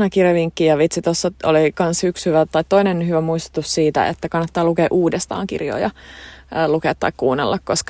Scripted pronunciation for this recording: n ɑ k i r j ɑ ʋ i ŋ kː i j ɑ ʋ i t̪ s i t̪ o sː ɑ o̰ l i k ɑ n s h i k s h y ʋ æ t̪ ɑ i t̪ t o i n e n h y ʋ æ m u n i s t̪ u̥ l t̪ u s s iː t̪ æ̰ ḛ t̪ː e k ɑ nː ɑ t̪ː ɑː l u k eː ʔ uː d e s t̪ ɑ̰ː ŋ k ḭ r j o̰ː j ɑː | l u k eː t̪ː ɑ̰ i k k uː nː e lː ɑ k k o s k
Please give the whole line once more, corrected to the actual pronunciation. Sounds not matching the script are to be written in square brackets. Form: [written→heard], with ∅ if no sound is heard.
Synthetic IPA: n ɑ k i r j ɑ ʋ i ŋ kː i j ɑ ʋ i t̪ s i t̪ o sː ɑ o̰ l i k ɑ n s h [i→y] k s h y ʋ æ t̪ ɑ i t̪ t o i n e n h y ʋ æ m u [n→∅] i s t̪ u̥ [l→∅] t̪ u s s iː t̪ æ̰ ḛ t̪ː [e→æ] k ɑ nː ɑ t̪ː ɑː l u k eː ʔ uː d e s t̪ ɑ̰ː ŋ k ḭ r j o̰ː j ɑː | l u k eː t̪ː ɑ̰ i k k uː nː e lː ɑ k k o s k